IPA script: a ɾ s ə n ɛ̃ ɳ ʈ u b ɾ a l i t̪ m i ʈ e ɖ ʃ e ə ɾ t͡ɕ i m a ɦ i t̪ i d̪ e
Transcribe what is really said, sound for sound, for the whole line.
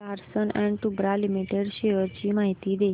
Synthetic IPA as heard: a ɾ s ə n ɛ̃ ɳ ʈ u b ɾ a l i m i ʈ e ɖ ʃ e ə ɾ t͡ɕ i m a ɦ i t̪ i d̪ e

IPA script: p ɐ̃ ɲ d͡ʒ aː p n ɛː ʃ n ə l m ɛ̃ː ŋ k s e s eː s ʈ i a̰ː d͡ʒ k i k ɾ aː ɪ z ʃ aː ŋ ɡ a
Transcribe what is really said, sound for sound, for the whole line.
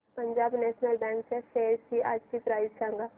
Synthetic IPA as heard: p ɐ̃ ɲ d͡ʒ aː b n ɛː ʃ n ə l b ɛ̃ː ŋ k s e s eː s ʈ i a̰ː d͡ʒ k i p ɾ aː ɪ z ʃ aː ŋ ɡ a

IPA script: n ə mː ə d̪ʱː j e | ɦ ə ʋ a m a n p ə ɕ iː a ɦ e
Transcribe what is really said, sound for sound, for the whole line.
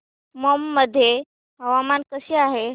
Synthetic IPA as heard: m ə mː ə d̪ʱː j e | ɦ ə ʋ a m a n k ə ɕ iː a ɦ e

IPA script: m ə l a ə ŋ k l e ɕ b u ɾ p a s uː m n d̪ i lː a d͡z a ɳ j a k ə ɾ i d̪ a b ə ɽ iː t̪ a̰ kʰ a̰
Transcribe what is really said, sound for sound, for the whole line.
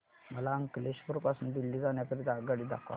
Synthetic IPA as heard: m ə l a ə ŋ k l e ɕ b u ɾ p a s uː n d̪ i lː i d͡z a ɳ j a k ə ɾ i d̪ a ɡ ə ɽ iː d̪ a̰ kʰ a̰

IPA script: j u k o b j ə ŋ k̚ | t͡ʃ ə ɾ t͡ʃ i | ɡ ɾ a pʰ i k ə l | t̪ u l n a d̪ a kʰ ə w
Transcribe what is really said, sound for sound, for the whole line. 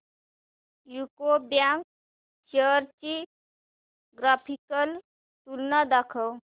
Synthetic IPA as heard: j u k o b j a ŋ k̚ | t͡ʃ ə ɾ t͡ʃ i | ɡ ɾ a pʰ i k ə l | t̪ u l n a d̪ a kʰ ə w

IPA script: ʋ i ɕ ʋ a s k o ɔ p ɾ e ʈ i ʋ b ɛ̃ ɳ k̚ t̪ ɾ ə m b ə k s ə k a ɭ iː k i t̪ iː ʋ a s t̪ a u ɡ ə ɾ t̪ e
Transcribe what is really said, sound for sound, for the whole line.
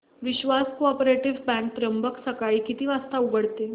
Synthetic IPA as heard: ʋ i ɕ ʋ a s k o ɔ p ɾ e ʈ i ʋ b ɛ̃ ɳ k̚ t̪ ɾ ə m b ə k s ə k a ɭ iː k i t̪ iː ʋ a s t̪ a u ɡ ə ɽ t̪ e

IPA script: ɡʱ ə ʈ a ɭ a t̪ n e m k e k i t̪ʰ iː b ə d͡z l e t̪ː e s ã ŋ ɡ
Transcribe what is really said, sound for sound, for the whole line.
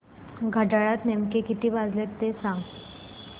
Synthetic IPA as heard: ɡʱ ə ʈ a ɭ a t̪ n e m k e k i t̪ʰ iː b a d͡z l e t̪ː e s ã ŋ ɡ

